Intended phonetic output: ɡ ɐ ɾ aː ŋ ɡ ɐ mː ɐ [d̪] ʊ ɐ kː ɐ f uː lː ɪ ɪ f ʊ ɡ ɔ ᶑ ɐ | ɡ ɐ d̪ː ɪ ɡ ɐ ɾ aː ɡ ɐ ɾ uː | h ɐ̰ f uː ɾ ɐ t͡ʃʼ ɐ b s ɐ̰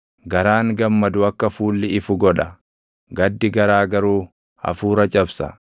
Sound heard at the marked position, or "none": d̪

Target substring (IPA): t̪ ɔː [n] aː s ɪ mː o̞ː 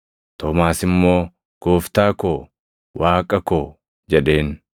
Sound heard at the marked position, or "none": m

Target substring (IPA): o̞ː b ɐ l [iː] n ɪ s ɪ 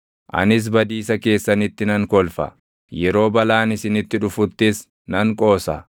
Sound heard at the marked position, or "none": aː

